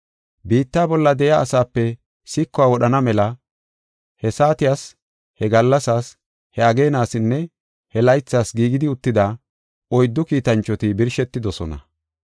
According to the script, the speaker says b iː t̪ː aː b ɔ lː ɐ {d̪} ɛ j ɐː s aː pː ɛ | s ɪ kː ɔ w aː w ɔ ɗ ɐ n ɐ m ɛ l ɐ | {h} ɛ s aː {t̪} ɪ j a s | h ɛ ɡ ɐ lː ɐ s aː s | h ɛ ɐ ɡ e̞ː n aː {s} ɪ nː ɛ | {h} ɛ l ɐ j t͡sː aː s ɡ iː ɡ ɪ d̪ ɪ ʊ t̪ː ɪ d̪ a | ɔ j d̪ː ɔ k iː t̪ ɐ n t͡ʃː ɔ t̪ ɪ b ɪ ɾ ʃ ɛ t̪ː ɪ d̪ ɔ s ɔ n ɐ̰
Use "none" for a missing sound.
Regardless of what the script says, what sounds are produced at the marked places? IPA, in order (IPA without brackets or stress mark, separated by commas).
d̪, h, t̪, s, h